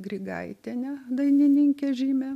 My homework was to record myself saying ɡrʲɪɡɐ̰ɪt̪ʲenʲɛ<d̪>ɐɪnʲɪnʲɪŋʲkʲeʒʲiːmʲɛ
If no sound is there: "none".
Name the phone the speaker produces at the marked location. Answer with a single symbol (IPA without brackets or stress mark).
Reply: d̪